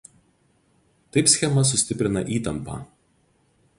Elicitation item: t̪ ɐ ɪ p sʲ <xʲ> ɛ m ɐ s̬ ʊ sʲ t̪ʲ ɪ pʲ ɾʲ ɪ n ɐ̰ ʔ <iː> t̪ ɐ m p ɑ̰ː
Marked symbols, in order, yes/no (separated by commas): yes, yes